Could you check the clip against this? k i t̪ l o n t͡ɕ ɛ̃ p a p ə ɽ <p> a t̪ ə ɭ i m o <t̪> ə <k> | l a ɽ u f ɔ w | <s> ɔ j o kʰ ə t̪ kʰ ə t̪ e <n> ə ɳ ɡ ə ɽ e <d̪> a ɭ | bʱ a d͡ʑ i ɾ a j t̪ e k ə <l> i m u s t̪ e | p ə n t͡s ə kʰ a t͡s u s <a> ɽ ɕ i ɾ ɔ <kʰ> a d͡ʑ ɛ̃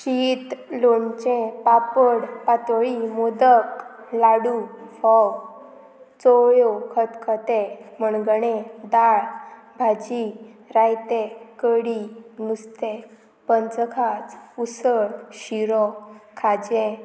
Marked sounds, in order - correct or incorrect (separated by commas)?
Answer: correct, incorrect, correct, incorrect, incorrect, correct, incorrect, incorrect, correct